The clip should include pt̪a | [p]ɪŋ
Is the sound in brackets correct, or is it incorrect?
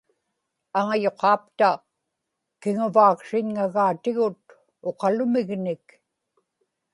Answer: incorrect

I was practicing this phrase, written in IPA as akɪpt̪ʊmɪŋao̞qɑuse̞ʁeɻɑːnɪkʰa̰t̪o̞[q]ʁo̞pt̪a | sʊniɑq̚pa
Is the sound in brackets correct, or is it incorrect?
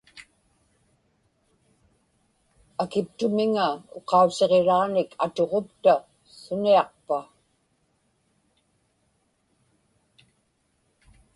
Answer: incorrect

